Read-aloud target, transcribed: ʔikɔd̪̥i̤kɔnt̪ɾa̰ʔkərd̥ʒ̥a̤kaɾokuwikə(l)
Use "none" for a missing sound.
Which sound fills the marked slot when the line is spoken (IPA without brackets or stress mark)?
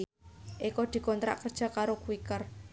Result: r